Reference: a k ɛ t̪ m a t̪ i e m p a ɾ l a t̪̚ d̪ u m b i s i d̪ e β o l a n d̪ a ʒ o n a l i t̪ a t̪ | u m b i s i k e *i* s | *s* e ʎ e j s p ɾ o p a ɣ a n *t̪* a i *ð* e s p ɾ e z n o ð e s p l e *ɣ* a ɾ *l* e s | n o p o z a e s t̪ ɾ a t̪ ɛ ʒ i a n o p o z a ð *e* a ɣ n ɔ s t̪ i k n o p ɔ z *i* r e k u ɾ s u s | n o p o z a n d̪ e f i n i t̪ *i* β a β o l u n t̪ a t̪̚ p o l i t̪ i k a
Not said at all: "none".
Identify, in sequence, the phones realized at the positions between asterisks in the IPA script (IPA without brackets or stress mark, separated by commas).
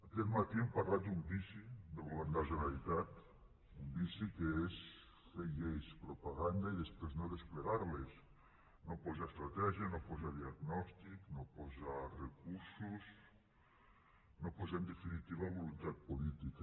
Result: e, f, d̪, ð, ɣ, l, i, a, i